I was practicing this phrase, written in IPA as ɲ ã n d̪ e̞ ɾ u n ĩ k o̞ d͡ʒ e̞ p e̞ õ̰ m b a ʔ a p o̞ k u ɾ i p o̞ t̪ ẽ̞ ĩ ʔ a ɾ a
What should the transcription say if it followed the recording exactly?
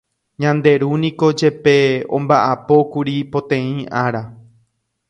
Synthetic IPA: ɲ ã n d̪ e̞ ɾ u n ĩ k o̞ d͡ʒ e̞ p e̞ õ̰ m b a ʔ a p o̞ k u ɾ i p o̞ t̪ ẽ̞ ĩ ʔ a ɾ a